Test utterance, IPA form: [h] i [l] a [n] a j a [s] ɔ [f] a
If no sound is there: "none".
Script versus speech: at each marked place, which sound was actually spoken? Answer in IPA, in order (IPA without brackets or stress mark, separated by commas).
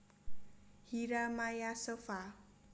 h, ɾ, m, s, f